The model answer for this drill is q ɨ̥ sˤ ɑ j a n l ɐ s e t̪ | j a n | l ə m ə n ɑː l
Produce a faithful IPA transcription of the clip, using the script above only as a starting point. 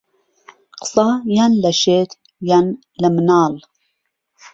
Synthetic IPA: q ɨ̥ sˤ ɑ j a n l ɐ ʃ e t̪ | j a n | l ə m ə n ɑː l

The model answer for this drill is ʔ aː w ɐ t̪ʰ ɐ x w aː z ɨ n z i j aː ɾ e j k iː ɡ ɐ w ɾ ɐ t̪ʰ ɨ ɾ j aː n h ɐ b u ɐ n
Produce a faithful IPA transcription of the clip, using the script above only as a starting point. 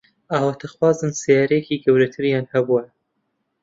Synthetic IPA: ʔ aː w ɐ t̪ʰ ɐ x w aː z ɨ n s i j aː ɾ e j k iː ɡ ɐ w ɾ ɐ t̪ʰ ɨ ɾ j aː n h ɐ b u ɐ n

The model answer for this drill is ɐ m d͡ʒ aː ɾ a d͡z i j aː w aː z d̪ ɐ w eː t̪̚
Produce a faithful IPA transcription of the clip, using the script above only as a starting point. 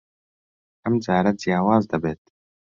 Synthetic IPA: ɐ m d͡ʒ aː ɾ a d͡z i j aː w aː z d̪ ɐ b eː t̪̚

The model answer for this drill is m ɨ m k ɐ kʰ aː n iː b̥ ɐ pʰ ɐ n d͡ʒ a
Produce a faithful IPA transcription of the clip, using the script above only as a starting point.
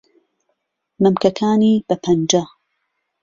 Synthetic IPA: m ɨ m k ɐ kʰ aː n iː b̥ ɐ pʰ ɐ n d͡ʒ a

